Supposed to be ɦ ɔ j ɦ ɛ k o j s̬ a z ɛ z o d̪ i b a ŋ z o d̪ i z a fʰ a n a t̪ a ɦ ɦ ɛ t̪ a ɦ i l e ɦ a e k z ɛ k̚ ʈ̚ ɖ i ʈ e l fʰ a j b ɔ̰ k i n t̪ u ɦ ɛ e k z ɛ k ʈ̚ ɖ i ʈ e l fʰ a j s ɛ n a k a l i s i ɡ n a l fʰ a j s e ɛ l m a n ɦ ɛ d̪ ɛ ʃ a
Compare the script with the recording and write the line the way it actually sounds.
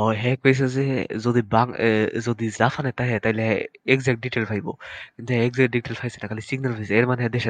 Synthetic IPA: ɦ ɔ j ɦ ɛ k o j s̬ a z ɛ z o d̪ i b a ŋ z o d̪ i z a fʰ a n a t̪ a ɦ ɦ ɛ t̪ a ɦ i l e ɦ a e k z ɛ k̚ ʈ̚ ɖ i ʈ e l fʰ a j b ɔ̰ k i n t̪ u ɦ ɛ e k z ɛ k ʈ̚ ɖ i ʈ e l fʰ a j s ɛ n a k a l i s i ɡ n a l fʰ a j s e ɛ ɾ m a n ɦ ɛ d̪ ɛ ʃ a